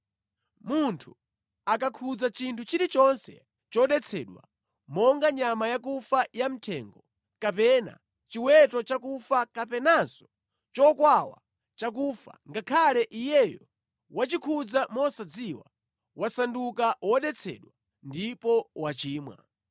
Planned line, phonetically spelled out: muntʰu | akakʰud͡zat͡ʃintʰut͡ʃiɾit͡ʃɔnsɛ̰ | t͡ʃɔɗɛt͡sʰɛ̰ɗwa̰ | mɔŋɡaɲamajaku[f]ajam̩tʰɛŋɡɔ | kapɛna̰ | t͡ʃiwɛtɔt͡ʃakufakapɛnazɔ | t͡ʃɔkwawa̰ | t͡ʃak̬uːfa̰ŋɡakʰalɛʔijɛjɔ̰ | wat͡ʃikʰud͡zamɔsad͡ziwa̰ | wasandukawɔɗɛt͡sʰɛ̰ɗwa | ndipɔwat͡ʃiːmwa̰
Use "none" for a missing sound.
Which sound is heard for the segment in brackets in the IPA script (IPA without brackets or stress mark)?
f